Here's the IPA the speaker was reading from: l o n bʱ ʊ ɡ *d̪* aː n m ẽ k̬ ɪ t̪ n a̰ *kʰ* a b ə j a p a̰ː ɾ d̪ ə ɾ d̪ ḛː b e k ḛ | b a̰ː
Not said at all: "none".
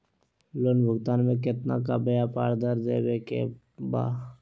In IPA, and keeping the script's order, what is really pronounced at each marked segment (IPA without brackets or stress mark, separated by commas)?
t̪, k